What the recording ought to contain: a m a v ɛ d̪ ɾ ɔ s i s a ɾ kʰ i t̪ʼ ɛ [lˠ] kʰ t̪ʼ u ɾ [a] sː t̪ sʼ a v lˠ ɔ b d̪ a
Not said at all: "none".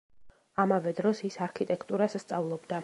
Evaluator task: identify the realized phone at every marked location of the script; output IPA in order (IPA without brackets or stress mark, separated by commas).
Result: none, a